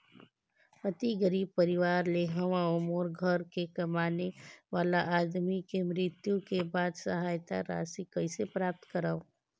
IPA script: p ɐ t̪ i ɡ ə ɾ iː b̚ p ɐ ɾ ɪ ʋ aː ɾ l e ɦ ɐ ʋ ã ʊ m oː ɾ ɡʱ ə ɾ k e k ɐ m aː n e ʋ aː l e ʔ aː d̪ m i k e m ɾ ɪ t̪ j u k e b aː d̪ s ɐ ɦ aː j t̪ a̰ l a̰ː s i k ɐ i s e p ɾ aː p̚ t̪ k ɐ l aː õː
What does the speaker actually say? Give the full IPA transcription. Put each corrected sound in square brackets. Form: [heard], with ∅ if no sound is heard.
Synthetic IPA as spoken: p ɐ t̪ i ɡ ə ɾ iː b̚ p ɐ ɾ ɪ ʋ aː ɾ l e ɦ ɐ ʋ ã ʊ m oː ɾ ɡʱ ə ɾ k e k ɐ m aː n e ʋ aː l [a] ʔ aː d̪ m i k e m ɾ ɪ t̪ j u k e b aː d̪ s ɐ ɦ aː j t̪ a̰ [ɾ] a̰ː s i k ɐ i s e p ɾ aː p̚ t̪ k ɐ [ɾ] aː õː